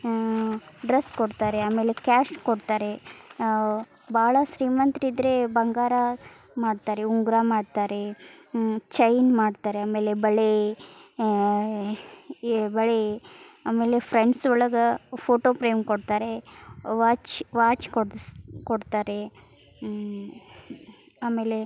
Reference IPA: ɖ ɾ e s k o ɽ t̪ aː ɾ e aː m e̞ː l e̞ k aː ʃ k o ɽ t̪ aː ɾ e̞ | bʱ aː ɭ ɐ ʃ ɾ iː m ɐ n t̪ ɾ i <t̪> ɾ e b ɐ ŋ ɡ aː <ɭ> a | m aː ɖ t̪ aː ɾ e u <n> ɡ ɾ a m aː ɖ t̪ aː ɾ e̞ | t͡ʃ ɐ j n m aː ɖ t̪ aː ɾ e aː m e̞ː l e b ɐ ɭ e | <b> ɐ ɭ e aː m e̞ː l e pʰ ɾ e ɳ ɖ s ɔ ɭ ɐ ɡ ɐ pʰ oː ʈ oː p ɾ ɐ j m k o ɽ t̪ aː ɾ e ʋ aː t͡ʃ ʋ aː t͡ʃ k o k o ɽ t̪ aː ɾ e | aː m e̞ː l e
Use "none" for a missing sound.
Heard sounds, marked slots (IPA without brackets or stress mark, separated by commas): d̪, ɾ, ŋ, b